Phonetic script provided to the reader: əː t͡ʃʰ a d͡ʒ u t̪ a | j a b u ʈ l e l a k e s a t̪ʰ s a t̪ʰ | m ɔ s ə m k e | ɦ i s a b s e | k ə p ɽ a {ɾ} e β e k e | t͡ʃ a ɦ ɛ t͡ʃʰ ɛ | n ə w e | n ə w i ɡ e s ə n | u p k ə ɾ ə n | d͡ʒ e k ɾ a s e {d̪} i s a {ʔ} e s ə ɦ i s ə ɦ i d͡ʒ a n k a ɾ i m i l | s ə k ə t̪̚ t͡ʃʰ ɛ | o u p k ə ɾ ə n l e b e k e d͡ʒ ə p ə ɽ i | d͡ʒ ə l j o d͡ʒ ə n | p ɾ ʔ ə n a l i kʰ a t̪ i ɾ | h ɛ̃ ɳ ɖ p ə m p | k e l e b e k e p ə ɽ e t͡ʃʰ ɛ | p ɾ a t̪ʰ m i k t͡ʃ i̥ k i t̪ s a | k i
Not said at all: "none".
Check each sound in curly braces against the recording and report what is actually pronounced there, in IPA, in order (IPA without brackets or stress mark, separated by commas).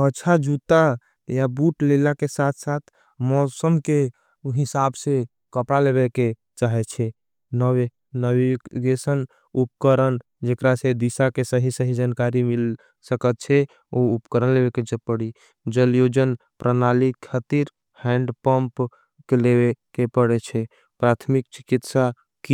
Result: l, d̪, k